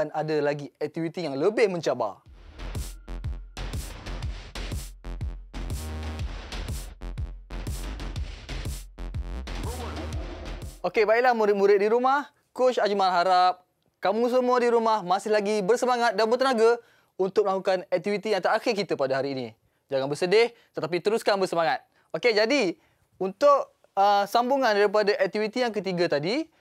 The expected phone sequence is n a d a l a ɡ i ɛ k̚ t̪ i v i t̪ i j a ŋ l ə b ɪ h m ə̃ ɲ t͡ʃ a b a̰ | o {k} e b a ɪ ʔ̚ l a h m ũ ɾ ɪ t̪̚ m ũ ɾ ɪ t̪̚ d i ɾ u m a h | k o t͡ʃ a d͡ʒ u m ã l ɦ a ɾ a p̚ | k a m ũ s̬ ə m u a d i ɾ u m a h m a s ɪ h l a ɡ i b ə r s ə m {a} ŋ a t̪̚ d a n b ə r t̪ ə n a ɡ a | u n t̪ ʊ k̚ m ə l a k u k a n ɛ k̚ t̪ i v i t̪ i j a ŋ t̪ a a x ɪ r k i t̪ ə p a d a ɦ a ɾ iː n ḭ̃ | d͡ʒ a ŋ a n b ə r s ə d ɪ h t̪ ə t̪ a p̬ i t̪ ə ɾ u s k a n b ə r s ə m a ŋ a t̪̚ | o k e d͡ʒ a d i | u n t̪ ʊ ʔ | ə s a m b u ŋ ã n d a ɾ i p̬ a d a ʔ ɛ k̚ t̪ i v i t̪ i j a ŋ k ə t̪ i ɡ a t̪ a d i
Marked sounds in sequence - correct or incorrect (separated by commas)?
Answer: correct, correct